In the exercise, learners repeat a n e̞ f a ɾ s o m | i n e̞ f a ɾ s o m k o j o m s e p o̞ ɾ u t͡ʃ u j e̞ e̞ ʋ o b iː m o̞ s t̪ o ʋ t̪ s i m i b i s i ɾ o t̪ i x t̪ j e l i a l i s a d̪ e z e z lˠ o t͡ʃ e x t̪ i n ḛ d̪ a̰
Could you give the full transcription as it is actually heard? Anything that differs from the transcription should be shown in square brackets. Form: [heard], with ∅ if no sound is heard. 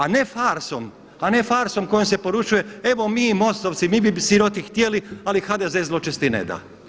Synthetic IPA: a n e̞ f a ɾ s o m | [a] n e̞ f a ɾ s o m k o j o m s e p o̞ ɾ u t͡ʃ u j e̞ e̞ ʋ o [m] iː m o̞ s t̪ o ʋ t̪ s i m i b i s i ɾ o t̪ i x t̪ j e l i a l i [x] a d̪ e z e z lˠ o t͡ʃ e [s] t̪ i n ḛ d̪ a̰